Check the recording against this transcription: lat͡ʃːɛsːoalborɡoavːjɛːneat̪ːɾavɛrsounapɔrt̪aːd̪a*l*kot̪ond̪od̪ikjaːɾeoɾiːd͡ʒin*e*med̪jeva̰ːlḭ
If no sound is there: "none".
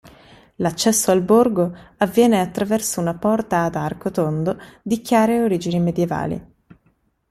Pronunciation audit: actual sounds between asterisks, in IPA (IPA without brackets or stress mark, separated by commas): r, i